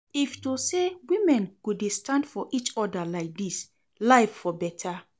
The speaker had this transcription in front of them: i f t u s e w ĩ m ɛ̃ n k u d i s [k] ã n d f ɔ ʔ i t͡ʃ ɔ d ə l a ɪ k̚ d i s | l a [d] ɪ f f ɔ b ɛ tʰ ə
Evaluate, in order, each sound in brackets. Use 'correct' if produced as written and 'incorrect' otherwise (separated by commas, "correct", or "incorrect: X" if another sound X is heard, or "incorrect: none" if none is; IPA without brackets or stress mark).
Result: incorrect: t, incorrect: none